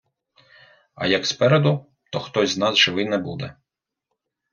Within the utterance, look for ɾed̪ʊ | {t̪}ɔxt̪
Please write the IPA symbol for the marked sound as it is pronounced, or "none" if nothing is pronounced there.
t̪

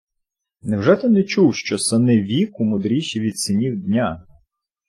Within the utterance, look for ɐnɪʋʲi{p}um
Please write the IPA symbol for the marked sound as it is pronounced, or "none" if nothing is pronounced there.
k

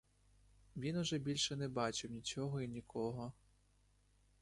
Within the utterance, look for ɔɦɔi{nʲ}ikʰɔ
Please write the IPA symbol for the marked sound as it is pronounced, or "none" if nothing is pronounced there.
nʲ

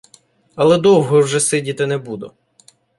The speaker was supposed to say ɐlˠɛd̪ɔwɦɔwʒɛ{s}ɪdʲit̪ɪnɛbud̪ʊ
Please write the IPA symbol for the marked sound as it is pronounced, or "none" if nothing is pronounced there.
s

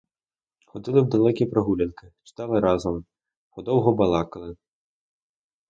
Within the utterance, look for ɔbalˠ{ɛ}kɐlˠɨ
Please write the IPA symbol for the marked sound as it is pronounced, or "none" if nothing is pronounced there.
a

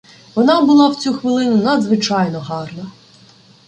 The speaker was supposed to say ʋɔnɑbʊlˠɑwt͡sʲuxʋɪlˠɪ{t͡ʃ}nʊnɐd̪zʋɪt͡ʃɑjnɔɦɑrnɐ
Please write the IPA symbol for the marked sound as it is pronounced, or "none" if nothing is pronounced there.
none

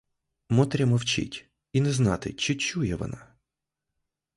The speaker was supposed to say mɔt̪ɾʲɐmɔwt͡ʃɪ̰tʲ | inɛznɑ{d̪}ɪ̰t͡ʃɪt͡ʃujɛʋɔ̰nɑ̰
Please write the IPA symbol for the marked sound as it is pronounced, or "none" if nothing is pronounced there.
t̪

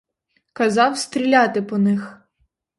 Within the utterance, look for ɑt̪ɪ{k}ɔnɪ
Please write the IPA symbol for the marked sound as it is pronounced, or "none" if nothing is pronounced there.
p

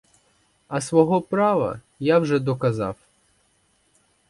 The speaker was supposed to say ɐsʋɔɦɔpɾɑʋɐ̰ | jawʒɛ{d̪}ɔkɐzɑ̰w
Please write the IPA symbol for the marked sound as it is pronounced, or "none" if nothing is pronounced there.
d̪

